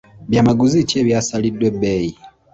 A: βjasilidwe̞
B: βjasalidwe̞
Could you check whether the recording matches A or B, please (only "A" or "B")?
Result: B